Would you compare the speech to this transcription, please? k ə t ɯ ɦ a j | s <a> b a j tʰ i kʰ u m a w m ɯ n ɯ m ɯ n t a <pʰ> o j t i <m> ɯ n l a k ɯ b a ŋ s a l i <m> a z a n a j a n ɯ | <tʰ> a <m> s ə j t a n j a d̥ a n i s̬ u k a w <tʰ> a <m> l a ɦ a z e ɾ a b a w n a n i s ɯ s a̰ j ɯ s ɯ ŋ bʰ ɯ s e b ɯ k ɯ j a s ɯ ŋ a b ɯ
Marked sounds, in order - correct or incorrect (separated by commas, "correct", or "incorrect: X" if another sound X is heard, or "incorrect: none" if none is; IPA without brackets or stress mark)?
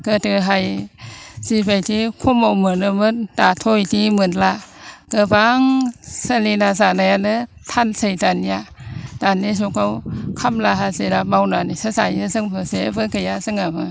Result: incorrect: i, incorrect: tʰ, correct, incorrect: n, correct, incorrect: n, incorrect: kʰ, correct